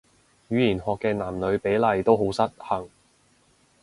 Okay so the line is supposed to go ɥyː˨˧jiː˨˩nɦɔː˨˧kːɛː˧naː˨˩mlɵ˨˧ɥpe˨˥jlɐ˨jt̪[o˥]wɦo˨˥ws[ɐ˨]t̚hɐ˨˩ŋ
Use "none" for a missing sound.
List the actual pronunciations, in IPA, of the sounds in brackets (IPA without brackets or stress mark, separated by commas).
o˥, ɐ˥